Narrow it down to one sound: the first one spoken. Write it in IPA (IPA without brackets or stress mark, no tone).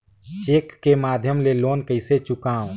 t͡ʃ